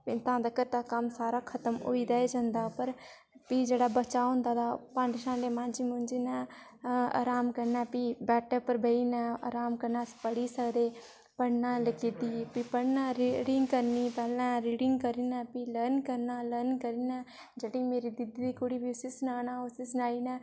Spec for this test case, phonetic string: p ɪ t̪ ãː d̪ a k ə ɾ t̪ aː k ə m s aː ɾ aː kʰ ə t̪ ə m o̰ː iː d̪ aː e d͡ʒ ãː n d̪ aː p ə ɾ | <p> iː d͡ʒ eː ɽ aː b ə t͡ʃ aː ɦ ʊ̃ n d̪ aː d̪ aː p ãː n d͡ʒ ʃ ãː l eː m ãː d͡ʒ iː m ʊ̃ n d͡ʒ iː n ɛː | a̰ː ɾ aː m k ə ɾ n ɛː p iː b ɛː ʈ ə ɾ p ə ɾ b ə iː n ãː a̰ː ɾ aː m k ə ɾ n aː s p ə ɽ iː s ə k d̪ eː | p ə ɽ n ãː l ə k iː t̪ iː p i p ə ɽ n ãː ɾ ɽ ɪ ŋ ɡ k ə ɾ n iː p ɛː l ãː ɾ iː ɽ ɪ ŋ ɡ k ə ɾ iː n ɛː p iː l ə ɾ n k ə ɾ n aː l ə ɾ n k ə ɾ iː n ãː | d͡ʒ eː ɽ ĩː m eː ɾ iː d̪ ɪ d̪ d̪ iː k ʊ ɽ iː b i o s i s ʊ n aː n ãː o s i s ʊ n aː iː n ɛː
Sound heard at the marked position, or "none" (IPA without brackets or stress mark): p